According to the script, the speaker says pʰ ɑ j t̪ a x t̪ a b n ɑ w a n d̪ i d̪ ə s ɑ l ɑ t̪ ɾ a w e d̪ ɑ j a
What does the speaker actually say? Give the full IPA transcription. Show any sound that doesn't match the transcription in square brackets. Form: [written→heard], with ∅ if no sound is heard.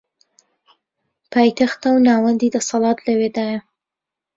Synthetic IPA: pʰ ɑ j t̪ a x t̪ a [b→w] n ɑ w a n d̪ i d̪ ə s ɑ l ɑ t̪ [ɾ→l] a w e d̪ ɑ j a

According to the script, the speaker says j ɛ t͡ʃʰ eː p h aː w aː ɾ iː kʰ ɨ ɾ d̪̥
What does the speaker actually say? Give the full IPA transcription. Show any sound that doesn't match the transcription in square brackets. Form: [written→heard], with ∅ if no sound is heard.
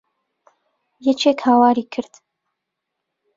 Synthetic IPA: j ɛ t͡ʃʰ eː [p→k] h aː w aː ɾ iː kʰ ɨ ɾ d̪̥

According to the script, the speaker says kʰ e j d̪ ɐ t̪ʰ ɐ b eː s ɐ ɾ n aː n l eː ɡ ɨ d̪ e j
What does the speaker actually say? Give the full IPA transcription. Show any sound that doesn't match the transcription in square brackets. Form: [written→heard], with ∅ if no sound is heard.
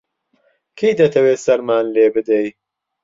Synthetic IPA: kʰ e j d̪ ɐ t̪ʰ ɐ [b→w] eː s ɐ ɾ [n→m] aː n l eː [ɡ→b] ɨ d̪ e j

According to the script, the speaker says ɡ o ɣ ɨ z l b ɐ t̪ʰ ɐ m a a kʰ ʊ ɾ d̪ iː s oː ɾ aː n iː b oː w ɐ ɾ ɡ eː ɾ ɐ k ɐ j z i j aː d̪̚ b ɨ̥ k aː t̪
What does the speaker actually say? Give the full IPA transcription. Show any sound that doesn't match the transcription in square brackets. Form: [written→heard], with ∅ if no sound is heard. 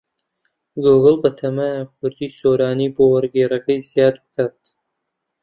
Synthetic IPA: ɡ o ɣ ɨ [z→∅] l b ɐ t̪ʰ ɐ m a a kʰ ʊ ɾ d̪ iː s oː ɾ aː n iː b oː w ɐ ɾ ɡ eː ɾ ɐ k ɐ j z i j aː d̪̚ b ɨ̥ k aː t̪

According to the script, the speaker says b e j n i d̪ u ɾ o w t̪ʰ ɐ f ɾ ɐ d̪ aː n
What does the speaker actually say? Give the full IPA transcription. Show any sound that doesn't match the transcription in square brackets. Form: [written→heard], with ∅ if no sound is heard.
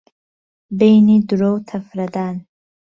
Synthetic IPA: b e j n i d̪ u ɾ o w t̪ʰ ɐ f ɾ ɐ d̪ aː n

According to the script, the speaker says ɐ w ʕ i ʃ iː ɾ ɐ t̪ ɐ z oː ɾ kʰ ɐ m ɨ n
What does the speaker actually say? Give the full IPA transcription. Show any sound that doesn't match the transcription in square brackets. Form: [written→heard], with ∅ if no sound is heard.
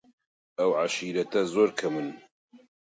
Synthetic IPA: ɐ w ʕ [i→a] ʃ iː ɾ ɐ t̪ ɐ z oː ɾ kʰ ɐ m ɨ n

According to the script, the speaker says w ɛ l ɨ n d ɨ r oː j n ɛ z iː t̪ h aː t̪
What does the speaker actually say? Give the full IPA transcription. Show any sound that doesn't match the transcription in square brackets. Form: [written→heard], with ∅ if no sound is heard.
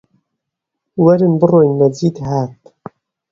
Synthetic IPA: w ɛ [l→ɾ] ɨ n [d→b] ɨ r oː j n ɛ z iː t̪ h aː t̪

